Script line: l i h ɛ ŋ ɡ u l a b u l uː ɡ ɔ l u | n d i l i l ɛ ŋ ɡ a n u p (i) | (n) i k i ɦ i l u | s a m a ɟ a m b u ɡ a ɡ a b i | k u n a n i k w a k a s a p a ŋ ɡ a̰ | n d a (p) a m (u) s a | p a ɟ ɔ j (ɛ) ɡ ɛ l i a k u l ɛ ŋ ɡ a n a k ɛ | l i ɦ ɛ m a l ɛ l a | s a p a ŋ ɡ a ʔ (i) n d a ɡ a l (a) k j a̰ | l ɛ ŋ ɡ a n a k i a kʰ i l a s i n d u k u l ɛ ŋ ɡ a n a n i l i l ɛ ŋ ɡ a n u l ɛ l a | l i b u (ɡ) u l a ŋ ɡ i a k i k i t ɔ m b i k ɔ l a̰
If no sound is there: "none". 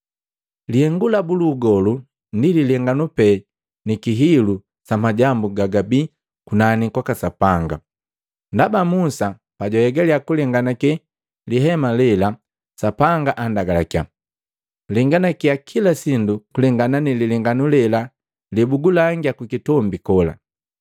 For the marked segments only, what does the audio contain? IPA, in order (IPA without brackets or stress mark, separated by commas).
ɛ, n, b, u, ɛ, a, a, ɡ